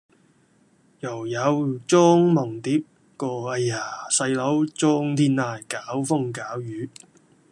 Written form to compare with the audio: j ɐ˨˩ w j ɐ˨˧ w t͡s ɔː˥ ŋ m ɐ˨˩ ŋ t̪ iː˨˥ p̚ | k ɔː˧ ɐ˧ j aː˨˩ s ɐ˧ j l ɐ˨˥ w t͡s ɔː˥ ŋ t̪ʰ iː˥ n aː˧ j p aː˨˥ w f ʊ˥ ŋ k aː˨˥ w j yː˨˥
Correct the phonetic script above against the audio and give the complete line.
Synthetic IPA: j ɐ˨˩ w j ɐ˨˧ w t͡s ɔː˥ ŋ m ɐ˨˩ ŋ t̪ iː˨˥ p̚ | k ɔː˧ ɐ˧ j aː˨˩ s ɐ˧ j l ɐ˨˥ w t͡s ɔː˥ ŋ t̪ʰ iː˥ n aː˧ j k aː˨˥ w f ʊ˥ ŋ k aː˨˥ w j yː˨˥

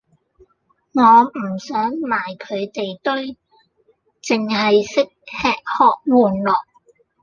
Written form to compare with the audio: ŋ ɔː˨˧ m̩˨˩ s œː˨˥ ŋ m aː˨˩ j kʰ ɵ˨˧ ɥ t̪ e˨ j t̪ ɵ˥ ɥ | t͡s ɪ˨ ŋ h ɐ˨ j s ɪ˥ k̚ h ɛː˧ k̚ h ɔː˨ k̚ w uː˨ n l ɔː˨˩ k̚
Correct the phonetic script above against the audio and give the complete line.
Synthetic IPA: ŋ ɔː˨˧ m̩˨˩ s œː˨˥ ŋ m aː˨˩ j kʰ ɵ˨˧ ɥ t̪ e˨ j t̪ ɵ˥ ɥ | t͡s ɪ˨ ŋ h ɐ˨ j s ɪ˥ k̚ h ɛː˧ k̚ h ɔː˨ k̚ w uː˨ n l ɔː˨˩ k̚

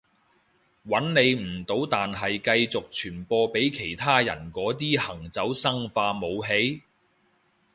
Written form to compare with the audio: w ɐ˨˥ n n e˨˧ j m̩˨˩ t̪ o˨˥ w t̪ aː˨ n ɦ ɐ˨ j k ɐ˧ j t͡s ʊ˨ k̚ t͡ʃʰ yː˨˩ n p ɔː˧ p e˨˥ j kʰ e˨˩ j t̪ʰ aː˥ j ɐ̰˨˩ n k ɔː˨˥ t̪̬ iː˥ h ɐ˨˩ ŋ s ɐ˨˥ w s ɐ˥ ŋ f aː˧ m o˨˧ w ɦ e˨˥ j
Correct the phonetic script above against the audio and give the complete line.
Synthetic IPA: w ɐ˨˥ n n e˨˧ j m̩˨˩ t̪ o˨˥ w t̪ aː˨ n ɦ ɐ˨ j k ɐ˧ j t͡s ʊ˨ k̚ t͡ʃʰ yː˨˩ n p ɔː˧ p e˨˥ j kʰ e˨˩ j t̪ʰ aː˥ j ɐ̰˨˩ n k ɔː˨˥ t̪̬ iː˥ h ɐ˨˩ ŋ t͡s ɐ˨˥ w s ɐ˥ ŋ f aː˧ m o˨˧ w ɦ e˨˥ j

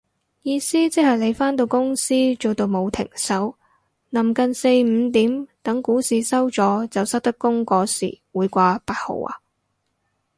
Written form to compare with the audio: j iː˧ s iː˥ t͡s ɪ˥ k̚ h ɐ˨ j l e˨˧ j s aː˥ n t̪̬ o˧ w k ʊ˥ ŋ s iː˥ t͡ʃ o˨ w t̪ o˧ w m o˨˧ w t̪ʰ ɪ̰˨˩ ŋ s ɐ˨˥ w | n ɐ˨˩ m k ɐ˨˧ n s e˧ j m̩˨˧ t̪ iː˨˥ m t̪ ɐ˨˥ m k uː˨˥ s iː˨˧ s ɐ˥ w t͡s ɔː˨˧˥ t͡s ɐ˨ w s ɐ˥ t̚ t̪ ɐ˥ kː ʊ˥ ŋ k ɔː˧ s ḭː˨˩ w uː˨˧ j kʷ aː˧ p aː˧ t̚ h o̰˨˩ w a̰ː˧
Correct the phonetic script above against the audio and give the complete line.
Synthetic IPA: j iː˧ s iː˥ t͡s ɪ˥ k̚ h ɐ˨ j l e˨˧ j f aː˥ n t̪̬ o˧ w k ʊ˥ ŋ s iː˥ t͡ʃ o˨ w t̪ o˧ w m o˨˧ w t̪ʰ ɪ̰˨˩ ŋ s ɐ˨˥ w | n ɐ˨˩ m k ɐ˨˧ n s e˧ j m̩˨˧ t̪ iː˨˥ m t̪ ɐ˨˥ ŋ k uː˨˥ s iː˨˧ s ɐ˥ w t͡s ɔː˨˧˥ t͡s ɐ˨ w s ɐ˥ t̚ t̪ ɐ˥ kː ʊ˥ ŋ k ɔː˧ s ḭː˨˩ w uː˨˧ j kʷ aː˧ p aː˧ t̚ h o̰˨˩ w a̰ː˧

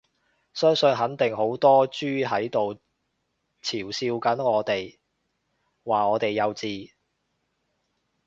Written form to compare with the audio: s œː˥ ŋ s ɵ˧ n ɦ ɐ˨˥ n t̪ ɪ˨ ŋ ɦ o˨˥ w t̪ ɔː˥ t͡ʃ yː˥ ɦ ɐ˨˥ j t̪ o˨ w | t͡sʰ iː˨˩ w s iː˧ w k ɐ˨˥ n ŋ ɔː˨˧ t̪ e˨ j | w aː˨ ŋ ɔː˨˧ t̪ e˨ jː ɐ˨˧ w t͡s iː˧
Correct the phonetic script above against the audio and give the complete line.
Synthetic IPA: s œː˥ ŋ s ɵ˧ n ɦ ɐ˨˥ n t̪ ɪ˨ ŋ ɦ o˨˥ w t̪ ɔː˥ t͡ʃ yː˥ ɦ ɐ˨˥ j t̪ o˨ w | t͡sʰ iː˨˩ w s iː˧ w k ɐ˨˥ n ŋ ɔː˨˧ t̪ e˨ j | w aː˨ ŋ ɔː˨˧ t̪ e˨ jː ɐ˨˧ w t͡s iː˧

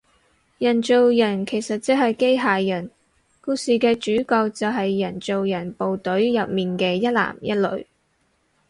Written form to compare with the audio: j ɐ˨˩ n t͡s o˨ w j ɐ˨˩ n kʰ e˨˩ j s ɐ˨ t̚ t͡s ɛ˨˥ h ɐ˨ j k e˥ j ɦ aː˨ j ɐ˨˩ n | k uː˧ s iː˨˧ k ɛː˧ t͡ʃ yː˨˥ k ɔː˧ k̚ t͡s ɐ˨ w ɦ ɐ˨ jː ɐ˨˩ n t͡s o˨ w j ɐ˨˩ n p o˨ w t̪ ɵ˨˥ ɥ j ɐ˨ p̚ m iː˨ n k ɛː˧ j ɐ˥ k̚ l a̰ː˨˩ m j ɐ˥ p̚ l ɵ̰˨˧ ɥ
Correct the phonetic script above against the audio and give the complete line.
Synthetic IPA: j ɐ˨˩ n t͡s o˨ w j ɐ˨˩ n kʰ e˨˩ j s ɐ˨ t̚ t͡s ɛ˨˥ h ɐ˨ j k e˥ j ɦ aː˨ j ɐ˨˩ n | k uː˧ s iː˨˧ k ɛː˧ t͡ʃ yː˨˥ k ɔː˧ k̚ t͡s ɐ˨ w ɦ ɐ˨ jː ɐ˨˩ n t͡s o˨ w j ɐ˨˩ n p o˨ w t̪ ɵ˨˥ ɥ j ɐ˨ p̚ m iː˨ n k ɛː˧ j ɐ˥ t̚ l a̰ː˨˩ m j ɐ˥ t̚ l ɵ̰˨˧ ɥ

